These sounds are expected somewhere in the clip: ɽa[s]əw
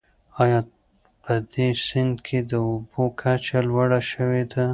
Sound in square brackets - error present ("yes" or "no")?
yes